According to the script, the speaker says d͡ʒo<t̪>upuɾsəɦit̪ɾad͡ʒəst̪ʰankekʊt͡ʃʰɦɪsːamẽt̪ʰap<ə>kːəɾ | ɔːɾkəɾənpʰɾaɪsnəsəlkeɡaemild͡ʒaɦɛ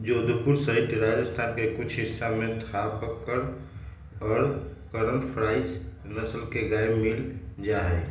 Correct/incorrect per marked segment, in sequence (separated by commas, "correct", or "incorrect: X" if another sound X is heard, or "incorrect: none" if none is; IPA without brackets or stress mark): incorrect: d̪, correct